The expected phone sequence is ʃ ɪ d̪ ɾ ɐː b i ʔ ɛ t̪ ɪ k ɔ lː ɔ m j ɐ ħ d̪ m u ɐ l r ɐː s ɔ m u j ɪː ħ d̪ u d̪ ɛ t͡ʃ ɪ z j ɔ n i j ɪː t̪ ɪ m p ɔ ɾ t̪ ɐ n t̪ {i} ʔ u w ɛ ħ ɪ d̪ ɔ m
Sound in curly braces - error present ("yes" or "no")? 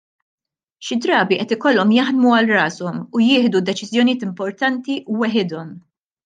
no